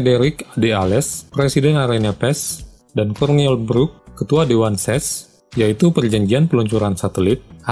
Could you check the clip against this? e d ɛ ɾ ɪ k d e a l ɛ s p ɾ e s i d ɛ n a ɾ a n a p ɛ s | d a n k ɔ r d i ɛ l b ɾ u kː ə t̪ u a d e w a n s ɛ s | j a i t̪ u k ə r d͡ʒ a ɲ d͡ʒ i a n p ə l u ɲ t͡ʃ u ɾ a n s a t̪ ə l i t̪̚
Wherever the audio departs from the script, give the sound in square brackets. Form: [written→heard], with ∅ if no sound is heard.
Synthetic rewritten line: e d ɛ ɾ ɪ k d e a l ɛ s p ɾ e s i d ɛ n a ɾ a n a p ɛ s | d a n k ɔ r [d→n] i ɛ l b ɾ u kː ə t̪ u a d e w a n s ɛ s | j a i t̪ u [k→p] ə r d͡ʒ a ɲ d͡ʒ i a n p ə l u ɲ t͡ʃ u ɾ a n s a t̪ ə l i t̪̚